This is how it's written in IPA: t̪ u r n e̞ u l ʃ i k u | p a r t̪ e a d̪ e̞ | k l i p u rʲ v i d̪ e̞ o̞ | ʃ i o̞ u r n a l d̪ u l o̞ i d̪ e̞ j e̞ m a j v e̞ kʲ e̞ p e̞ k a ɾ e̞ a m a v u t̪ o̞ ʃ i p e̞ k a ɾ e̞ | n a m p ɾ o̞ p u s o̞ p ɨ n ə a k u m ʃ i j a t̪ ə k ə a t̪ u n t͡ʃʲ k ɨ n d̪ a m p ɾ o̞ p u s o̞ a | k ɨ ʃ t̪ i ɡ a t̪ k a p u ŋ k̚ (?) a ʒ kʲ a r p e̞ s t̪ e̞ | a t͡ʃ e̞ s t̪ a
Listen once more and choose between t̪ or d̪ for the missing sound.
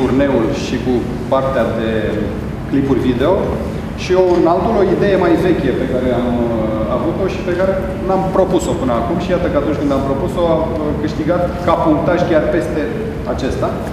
t̪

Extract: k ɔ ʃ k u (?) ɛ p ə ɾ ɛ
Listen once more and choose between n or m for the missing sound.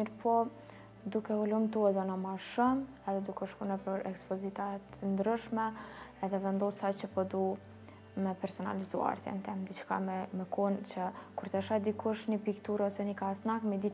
n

